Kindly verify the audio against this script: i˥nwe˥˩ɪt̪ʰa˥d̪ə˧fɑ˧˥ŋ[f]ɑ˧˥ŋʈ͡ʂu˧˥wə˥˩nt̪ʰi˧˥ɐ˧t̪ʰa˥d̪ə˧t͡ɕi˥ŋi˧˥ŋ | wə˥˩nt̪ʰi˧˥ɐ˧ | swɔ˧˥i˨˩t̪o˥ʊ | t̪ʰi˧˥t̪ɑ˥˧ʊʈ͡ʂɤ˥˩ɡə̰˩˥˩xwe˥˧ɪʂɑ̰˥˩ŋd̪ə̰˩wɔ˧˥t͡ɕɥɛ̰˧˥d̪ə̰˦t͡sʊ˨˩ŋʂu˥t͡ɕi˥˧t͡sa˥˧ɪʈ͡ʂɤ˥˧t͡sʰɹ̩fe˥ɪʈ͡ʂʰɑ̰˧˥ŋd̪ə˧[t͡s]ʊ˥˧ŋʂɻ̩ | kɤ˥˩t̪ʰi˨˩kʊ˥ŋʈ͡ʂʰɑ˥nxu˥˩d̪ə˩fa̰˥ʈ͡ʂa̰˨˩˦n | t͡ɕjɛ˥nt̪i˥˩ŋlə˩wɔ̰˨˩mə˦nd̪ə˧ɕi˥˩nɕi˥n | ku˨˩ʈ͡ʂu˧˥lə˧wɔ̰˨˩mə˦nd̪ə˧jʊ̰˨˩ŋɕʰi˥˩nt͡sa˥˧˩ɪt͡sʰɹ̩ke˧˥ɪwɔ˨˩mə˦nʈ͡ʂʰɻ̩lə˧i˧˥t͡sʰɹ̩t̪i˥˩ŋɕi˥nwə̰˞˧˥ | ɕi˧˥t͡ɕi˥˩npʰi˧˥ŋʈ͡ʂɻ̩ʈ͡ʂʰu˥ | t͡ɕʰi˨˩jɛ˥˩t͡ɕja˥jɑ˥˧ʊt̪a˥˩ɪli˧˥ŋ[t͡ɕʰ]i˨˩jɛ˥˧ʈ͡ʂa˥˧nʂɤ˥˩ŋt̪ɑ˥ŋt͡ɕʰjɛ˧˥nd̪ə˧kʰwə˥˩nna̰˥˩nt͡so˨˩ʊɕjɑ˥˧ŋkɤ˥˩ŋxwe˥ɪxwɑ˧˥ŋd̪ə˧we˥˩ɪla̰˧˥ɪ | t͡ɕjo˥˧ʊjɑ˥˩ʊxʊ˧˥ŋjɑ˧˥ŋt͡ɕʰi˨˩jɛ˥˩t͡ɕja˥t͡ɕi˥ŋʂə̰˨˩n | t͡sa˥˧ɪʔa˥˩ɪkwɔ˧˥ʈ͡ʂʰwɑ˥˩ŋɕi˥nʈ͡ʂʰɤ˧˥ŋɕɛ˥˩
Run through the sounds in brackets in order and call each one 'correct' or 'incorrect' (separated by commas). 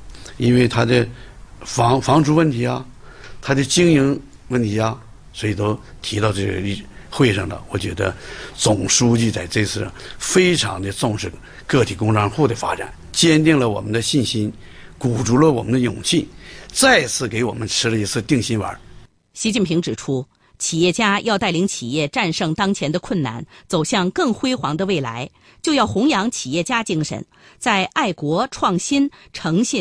correct, correct, correct